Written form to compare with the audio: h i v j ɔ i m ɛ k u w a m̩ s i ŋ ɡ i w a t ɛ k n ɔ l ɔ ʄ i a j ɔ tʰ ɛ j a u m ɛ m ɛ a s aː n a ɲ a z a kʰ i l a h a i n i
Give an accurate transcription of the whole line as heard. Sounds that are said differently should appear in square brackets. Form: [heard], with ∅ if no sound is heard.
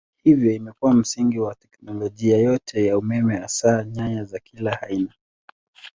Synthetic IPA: h i v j ɔ i m ɛ k u w a m̩ s i ŋ ɡ i w a t ɛ k n ɔ l ɔ ʄ i a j ɔ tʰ ɛ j a u m ɛ m ɛ a s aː [ɲ] a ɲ a z a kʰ i l a h a i n [a]